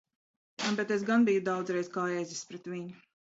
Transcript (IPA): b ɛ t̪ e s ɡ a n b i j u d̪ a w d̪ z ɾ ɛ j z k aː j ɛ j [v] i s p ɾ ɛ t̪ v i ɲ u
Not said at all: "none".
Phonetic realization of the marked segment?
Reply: z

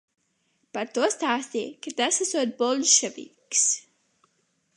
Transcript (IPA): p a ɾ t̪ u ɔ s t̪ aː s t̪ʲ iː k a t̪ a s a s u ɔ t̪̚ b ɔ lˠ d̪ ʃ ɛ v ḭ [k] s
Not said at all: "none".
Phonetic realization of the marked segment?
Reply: k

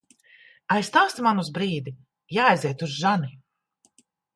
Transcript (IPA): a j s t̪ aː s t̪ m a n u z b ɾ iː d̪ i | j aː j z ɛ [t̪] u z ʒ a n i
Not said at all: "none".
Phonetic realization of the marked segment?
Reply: t̪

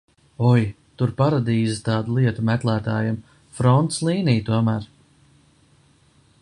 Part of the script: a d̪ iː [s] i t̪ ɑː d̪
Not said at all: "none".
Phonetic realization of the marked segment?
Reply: z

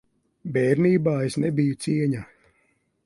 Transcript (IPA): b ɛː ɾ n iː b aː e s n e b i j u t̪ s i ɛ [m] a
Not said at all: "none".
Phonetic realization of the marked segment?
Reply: ɲ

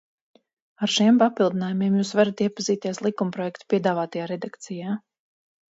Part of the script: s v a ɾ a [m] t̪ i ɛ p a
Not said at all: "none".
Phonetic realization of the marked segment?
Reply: none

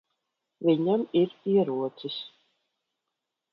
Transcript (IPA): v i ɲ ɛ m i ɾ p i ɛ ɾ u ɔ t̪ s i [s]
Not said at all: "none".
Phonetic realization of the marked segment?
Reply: s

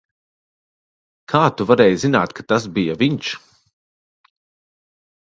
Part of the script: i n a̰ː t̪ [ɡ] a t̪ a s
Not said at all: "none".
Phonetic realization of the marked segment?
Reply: k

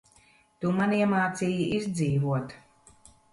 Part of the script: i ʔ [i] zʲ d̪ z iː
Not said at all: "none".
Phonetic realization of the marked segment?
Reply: i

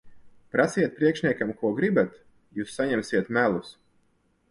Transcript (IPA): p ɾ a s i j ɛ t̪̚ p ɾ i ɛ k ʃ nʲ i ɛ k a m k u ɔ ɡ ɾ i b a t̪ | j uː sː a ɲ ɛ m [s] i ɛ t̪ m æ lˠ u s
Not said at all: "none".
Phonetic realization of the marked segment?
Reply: s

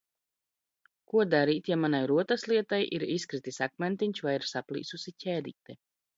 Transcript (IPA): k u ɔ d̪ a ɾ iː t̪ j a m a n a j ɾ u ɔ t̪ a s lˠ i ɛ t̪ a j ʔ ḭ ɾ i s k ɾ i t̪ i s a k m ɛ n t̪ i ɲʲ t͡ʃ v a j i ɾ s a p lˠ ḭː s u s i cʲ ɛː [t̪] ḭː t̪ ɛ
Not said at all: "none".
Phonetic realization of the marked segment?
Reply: d̪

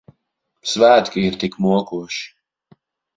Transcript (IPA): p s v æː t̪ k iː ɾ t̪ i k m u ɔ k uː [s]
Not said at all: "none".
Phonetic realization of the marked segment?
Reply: ʃ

